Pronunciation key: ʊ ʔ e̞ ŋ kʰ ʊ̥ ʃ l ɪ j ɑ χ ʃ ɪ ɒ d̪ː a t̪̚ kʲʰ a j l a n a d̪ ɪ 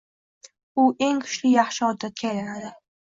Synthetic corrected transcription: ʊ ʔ e̞ ŋ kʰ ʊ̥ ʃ l ɪ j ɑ χ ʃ ɪ ɒ d̪ː a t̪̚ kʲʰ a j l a n a d̪ ɪ